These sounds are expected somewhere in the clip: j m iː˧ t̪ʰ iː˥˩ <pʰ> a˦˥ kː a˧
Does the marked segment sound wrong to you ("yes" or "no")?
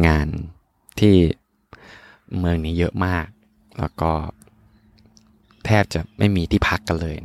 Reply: no